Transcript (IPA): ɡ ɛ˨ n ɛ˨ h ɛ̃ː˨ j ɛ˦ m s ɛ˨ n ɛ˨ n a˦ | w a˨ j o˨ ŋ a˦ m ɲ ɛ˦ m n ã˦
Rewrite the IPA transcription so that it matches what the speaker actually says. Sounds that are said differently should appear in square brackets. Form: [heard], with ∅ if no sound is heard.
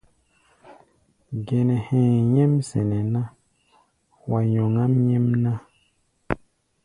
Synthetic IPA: ɡ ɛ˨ n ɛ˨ h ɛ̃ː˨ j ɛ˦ m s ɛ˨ n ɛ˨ n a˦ | w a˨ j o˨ ŋ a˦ m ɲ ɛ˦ m n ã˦